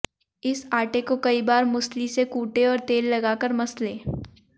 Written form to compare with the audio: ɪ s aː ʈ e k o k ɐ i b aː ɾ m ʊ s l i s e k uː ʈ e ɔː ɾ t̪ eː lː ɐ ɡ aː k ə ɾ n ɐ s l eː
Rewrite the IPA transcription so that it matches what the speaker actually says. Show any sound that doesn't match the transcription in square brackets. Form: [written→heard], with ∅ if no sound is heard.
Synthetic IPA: ɪ s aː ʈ e k o k ɐ i b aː ɾ m ʊ s l i s e k uː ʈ e ɔː ɾ t̪ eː lː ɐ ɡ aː k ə ɾ [n→m] ɐ s l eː

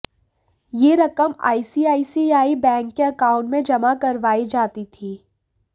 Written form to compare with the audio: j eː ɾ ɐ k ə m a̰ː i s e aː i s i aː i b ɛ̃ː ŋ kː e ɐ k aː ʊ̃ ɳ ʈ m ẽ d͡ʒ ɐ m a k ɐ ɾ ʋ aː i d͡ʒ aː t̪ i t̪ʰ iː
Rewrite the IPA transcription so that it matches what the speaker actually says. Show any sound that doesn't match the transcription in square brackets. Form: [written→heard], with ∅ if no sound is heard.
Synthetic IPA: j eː ɾ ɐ k ə m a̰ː i s [e→i] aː i s i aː i b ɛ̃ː ŋ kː e ɐ k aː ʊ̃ ɳ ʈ m ẽ d͡ʒ ɐ m a k ɐ ɾ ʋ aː i d͡ʒ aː t̪ i t̪ʰ iː

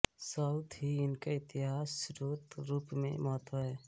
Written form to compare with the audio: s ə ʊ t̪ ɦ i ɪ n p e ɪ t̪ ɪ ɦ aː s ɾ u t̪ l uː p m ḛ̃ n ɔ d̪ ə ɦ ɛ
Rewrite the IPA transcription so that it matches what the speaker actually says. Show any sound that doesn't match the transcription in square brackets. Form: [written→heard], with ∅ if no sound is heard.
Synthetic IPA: s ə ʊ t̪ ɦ i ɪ n [p→k] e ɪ t̪ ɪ ɦ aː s ɾ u t̪ [l→ɾ] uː p m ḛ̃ [n→m] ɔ [d̪→t̪] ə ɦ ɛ

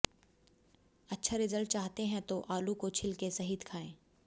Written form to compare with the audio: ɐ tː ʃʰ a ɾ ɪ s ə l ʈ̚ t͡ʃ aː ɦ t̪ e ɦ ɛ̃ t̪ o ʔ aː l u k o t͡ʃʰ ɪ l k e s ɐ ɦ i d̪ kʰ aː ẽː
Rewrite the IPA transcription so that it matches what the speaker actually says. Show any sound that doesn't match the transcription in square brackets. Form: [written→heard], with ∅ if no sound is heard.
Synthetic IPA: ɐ tː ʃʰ a ɾ ɪ [s→z] ə l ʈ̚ t͡ʃ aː ɦ t̪ e ɦ ɛ̃ t̪ o ʔ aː l u k o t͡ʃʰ ɪ l k e s ɐ ɦ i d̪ kʰ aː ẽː

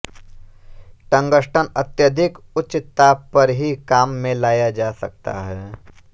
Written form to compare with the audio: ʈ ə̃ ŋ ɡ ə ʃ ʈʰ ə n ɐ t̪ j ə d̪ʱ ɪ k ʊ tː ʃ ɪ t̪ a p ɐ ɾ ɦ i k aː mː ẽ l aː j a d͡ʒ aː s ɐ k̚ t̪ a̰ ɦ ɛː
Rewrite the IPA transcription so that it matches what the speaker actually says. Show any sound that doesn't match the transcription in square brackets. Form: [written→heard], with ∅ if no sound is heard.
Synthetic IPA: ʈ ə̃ ŋ ɡ ə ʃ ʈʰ ə n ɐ t̪ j ə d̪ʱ ɪ k ʊ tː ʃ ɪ t̪ a p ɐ ɾ ɦ i k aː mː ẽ l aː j a d͡ʒ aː s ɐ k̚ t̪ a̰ ɦ ɛː

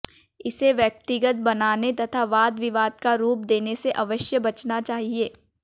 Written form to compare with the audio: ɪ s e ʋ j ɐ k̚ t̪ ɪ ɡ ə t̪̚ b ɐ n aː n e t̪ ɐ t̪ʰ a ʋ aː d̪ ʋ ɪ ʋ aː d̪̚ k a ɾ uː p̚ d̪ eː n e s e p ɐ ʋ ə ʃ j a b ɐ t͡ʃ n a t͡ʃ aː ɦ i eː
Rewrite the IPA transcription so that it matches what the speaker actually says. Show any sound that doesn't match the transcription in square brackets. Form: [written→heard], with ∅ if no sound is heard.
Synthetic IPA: ɪ s e ʋ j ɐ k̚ t̪ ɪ ɡ ə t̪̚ b ɐ n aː n e t̪ ɐ t̪ʰ a ʋ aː d̪ ʋ ɪ ʋ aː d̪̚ k a ɾ uː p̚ d̪ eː n e s e [p→ʔ] ɐ ʋ ə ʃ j [a→ə] b ɐ t͡ʃ n a t͡ʃ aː ɦ i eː

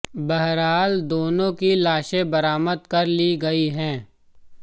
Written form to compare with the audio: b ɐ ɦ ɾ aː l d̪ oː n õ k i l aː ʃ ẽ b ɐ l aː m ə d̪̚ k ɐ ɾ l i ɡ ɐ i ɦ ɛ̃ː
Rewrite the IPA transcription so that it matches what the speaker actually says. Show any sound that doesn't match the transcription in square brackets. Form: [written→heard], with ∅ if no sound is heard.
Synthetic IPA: b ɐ ɦ ɾ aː l d̪ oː n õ k i l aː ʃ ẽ b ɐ [l→ɾ] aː m ə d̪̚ k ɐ ɾ l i ɡ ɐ i ɦ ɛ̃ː

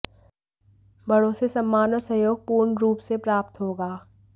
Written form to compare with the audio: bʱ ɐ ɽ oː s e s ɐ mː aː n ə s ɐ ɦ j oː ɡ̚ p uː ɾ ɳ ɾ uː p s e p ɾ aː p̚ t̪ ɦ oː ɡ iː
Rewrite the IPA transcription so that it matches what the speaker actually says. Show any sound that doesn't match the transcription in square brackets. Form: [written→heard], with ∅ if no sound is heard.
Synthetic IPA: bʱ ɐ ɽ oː s e s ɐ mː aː n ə s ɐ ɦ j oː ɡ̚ p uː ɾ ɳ ɾ uː p s e p ɾ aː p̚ t̪ ɦ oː ɡ [iː→aː]

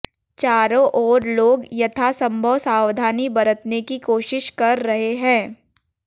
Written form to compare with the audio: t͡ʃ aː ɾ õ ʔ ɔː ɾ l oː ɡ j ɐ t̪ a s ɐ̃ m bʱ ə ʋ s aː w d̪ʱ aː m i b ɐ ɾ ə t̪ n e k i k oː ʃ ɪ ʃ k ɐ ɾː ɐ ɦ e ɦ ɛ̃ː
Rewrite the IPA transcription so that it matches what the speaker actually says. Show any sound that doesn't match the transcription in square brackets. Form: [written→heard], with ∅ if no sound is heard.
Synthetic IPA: t͡ʃ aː ɾ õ ʔ ɔː ɾ l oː ɡ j ɐ [t̪→t̪ʰ] a s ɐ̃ m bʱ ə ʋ s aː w d̪ʱ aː [m→n] i b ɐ ɾ ə t̪ n e k i k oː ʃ ɪ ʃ k ɐ ɾː ɐ ɦ e ɦ ɛ̃ː

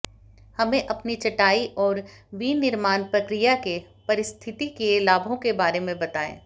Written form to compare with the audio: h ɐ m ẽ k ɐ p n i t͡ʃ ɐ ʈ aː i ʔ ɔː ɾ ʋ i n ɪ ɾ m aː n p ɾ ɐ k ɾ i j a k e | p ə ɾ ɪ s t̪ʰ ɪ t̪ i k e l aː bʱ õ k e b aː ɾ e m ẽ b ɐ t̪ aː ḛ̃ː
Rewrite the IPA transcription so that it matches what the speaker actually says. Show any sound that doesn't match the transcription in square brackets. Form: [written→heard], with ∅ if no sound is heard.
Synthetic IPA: h ɐ m ẽ [k→ʔ] ɐ p n i t͡ʃ ɐ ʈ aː i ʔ ɔː ɾ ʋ i n ɪ ɾ m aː n p ɾ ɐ k ɾ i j a k e | p [ə→ɐ] ɾ ɪ s t̪ʰ ɪ t̪ i k e l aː bʱ õ k e b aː ɾ e m ẽ b ɐ t̪ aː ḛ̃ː

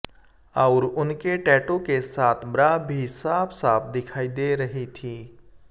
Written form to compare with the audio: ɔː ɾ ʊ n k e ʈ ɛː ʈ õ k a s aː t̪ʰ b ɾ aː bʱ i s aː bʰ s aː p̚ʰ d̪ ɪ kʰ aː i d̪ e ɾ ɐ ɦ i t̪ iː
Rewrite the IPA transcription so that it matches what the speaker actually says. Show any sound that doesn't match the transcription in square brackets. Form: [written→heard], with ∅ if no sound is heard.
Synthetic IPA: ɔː ɾ ʊ n k e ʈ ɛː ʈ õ k [a→e] s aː t̪ʰ b ɾ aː bʱ i s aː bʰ s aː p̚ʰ d̪ ɪ kʰ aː i d̪ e ɾ ɐ ɦ i [t̪→t̪ʰ] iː

